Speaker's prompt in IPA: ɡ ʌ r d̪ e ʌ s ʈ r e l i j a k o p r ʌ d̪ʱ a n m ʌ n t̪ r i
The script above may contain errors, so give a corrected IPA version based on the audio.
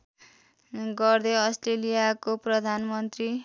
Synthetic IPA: ɡ ʌ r d̪ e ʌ s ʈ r e l i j a k o p r ʌ d̪ʱ a n m ʌ n t̪ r i